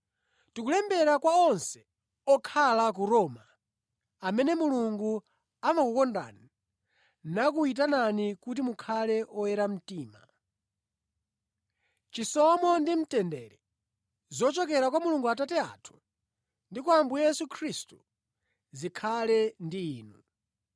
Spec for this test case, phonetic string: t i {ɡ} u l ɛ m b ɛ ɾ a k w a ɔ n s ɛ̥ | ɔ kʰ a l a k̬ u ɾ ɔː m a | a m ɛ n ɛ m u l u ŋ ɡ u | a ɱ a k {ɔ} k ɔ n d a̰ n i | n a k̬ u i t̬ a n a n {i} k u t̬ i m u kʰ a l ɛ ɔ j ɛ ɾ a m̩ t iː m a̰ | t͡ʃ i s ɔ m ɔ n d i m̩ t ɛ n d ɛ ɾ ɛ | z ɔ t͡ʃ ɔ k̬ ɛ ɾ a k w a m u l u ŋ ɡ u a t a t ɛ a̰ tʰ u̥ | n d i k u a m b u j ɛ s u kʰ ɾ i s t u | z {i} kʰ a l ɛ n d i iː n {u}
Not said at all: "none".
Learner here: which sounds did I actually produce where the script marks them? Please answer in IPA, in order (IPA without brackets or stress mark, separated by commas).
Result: k, u, i, i, u